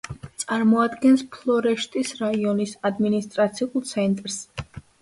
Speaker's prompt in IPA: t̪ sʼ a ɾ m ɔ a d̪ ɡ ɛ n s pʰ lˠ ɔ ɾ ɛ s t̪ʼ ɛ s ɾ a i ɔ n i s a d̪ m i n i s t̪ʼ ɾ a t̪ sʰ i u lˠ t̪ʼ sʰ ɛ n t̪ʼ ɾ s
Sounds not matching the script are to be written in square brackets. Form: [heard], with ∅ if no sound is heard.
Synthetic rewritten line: t̪ sʼ a ɾ m ɔ a d̪ ɡ ɛ n s pʰ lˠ ɔ ɾ ɛ [ʃ] t̪ʼ [i] s ɾ a i ɔ n i s a d̪ m i n i s t̪ʼ ɾ a t̪ sʰ i u lˠ [t̪] sʰ ɛ n t̪ʼ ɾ s